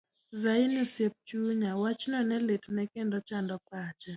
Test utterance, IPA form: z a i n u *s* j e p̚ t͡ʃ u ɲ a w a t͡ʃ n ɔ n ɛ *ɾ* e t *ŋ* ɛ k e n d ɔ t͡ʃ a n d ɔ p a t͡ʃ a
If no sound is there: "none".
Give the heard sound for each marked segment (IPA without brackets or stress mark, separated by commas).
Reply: s, l, n